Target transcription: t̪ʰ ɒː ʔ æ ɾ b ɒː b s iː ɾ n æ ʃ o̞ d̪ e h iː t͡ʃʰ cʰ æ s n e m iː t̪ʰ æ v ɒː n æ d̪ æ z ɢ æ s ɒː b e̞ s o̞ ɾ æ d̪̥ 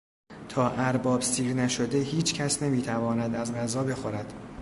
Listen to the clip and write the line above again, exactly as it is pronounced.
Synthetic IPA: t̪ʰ ɒː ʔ æ ɾ b ɒː b s iː ɾ n æ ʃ o̞ d̪ e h iː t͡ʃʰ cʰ æ s n e m iː t̪ʰ æ v ɒː n æ d̪ æ z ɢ æ z ɒː b e̞ x o̞ ɾ æ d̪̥